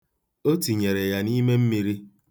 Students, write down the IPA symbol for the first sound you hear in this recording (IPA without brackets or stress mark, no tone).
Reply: o